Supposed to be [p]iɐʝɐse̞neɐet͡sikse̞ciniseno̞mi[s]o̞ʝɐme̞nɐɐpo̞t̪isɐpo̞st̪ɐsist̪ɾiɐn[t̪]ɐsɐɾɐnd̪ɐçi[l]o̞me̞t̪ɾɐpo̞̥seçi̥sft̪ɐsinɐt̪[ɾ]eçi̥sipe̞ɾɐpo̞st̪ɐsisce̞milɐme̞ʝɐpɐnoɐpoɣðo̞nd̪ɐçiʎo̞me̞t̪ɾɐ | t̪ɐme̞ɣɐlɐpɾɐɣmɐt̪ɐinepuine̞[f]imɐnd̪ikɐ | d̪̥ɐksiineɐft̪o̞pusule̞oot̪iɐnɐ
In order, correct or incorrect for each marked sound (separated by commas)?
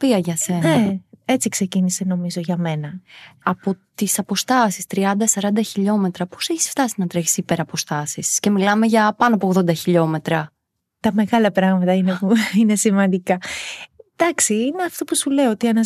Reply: correct, incorrect, incorrect, incorrect, correct, incorrect